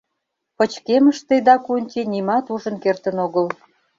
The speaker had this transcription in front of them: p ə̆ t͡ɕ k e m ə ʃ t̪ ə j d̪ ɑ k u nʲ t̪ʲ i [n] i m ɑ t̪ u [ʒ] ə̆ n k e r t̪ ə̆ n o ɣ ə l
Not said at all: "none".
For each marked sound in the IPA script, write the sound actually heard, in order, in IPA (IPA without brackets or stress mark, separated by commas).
n, ʒ